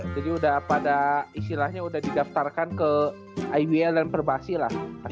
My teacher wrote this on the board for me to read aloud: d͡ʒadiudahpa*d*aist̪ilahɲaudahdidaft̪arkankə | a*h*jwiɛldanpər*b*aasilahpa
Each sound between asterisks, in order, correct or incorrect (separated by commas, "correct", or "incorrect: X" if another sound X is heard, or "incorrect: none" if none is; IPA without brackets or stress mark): correct, incorrect: none, correct